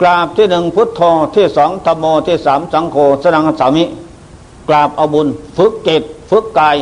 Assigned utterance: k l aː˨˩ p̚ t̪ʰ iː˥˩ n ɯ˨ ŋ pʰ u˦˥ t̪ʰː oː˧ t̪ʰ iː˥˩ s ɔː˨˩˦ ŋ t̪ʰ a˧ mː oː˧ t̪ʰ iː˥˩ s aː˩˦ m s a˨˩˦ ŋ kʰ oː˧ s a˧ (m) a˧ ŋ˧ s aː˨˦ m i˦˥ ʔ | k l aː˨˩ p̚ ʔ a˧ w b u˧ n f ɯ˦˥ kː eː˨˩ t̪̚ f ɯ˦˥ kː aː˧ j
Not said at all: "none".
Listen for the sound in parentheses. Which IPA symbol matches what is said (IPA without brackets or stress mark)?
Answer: n